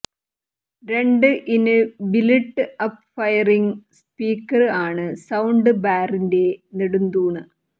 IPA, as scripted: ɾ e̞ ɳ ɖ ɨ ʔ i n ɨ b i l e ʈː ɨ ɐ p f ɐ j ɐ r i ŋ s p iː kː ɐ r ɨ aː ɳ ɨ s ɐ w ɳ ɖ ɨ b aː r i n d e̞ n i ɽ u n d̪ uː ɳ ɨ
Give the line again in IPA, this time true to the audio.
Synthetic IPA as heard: ɾ e̞ ɳ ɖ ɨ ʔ i n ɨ b i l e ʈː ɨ ɐ p f ɐ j ɐ r i ŋ s p iː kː ɐ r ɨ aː ɳ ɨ s ɐ w ɳ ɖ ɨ b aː r i n d e̞ n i ɽ u n d̪ uː ɳ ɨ